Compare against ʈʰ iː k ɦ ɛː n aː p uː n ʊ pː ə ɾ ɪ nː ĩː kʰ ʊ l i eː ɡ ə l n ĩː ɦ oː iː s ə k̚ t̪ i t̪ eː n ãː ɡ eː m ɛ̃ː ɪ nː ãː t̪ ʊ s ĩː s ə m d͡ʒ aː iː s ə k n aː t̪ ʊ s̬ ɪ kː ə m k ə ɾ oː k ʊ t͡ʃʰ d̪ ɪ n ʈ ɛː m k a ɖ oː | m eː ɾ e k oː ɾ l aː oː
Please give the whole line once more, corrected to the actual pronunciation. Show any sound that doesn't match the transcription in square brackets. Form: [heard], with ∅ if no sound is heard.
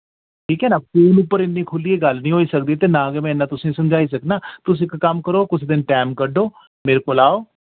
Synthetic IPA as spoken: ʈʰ iː k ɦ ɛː n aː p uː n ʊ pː ə ɾ ɪ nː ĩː kʰ ʊ l i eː ɡ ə l n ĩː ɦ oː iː s ə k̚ [d̪] i t̪ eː n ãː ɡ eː m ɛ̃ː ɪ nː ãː t̪ ʊ s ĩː s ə m d͡ʒ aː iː s ə k n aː t̪ ʊ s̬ ɪ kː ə m k ə ɾ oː k ʊ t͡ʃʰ d̪ ɪ n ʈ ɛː m k [ə] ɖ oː | m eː ɾ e k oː [∅] l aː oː